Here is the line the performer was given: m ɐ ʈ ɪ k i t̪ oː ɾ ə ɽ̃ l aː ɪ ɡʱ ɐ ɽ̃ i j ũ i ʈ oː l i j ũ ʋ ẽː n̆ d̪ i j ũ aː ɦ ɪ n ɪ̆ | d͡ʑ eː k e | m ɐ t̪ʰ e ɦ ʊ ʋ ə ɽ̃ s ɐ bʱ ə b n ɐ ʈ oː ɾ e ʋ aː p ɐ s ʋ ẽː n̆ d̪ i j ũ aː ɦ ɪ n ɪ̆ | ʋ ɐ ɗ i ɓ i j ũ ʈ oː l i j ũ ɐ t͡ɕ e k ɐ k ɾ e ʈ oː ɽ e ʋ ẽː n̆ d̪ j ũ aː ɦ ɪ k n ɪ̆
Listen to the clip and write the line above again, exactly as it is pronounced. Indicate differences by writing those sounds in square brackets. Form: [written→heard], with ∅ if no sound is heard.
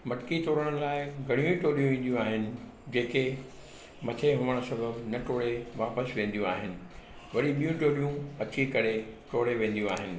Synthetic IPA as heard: m ɐ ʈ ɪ k i t̪ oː ɾ ə ɽ̃ l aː ɪ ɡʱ ɐ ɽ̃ i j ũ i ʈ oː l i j ũ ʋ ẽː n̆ d̪ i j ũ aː ɦ ɪ n ɪ̆ | d͡ʑ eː k e | m ɐ t̪ʰ e ɦ ʊ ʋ ə ɽ̃ s ɐ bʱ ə b n ɐ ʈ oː [ɾ→ɽ] e ʋ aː p [ɐ→ə] s ʋ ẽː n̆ d̪ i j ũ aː ɦ ɪ n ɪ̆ | ʋ ɐ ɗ i ɓ i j ũ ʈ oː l i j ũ ɐ t͡ɕ [e→i] k ɐ [k→∅] ɾ e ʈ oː ɽ e ʋ ẽː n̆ d̪ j ũ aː ɦ ɪ [k→∅] n ɪ̆